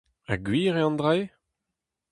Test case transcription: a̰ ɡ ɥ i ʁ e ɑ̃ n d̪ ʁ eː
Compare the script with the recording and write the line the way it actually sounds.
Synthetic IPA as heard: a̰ ɡ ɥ iː ʁ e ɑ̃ n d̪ ʁ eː